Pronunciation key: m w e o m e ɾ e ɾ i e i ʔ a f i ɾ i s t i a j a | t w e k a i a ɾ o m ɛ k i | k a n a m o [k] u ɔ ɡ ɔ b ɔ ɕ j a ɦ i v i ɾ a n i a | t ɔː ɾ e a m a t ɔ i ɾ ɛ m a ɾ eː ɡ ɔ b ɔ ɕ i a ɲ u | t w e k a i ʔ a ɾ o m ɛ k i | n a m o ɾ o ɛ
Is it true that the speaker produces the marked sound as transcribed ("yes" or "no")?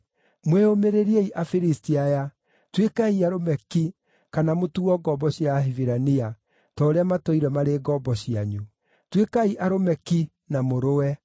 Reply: no